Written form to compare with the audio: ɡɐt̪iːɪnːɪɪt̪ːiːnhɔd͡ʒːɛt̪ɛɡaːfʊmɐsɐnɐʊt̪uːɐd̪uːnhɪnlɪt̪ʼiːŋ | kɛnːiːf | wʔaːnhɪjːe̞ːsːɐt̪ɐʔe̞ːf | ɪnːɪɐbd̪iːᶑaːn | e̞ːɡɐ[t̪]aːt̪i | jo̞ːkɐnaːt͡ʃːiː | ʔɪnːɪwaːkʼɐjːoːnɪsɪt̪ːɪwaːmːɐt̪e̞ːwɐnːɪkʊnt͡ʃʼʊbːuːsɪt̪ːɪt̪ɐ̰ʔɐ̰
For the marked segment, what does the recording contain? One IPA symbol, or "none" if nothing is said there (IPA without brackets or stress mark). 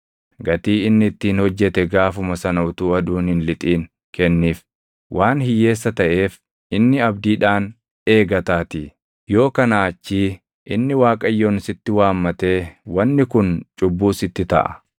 t̪